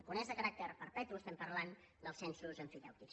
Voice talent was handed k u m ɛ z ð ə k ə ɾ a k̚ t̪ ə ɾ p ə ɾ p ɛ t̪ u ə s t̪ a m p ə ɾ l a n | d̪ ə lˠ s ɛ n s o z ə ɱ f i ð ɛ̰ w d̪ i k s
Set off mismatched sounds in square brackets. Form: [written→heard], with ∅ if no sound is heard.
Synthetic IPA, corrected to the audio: k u [m→n] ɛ z ð ə k ə ɾ a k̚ t̪ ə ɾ p ə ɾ p ɛ t̪ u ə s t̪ [a→ɛ] m p ə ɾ l a n | d̪ ə lˠ s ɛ n s [o→u] z ə ɱ f i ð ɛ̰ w [d̪→t̪] i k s

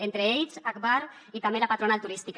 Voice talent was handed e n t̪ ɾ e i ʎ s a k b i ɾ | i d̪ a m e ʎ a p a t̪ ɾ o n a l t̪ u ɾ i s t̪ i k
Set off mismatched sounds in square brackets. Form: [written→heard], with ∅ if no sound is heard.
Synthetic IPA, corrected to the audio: e n t̪ ɾ e [i→e] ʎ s a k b [i→a] ɾ | i [d̪→t̪] a m e [ʎ→l] a p a t̪ ɾ o n a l t̪ u ɾ i s t̪ i k

